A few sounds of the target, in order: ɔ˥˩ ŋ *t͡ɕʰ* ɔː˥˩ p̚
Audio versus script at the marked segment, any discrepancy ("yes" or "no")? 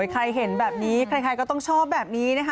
no